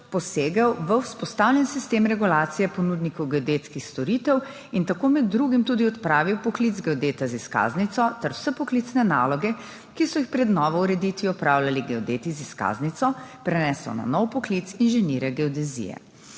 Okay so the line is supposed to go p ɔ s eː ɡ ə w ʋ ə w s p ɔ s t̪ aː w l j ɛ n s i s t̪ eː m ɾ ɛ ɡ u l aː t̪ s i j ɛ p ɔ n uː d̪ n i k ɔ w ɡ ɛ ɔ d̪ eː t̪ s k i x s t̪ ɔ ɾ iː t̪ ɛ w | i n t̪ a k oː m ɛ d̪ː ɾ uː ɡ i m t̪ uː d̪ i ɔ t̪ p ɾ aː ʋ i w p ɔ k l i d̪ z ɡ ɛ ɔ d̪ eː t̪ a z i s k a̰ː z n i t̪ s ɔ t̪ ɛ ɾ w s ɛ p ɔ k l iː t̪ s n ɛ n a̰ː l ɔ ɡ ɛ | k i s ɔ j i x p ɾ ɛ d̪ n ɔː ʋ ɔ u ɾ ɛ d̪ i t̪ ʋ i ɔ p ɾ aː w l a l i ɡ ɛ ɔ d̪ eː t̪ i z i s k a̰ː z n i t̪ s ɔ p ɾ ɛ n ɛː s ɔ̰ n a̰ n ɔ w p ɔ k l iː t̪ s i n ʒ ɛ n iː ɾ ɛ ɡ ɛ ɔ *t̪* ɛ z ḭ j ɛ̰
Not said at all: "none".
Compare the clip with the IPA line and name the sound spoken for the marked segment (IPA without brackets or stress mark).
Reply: d̪